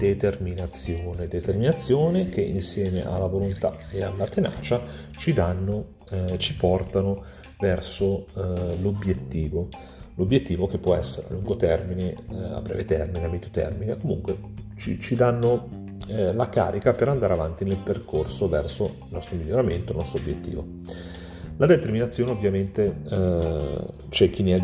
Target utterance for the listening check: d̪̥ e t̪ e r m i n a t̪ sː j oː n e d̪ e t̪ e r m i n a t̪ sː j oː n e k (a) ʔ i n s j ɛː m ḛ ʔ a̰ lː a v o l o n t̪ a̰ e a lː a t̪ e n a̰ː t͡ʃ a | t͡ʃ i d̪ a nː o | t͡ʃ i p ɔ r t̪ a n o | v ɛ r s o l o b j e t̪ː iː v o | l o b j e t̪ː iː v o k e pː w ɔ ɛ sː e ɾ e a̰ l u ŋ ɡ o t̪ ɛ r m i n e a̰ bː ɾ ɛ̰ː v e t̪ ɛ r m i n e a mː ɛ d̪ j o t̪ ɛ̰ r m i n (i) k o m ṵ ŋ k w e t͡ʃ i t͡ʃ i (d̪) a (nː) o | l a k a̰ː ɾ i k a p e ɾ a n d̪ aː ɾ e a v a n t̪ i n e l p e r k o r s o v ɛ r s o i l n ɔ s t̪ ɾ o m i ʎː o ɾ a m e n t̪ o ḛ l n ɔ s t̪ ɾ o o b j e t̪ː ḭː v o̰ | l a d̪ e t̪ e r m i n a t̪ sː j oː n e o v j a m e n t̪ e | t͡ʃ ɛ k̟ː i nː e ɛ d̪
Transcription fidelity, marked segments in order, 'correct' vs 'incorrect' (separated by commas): incorrect, incorrect, correct, correct